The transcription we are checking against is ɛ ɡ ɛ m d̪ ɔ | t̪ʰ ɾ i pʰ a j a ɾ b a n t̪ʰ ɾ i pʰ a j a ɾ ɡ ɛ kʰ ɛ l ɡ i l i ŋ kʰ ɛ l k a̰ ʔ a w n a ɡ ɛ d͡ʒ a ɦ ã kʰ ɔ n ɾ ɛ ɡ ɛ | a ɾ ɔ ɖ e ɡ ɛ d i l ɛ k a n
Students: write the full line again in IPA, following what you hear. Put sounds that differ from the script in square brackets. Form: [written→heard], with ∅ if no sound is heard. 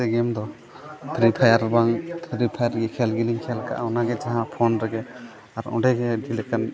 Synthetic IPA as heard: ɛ ɡ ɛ m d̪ ɔ | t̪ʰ ɾ i pʰ a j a ɾ b a [n→ŋ] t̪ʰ ɾ i pʰ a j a ɾ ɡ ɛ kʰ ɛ l ɡ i l i ŋ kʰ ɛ l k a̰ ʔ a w n a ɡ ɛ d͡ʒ a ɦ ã [kʰ→pʰ] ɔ n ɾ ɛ ɡ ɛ | a ɾ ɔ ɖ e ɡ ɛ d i l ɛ k a n